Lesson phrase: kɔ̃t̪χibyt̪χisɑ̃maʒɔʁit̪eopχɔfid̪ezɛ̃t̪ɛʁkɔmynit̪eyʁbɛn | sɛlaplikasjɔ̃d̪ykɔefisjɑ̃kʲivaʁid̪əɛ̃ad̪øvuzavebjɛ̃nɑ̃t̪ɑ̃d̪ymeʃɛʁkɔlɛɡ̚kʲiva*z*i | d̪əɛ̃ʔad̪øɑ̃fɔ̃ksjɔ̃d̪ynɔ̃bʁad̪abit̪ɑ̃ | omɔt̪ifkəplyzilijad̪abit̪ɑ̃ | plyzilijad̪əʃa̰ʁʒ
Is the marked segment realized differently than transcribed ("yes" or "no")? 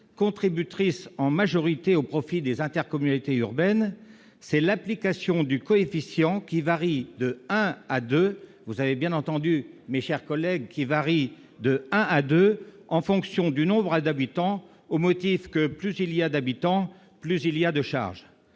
yes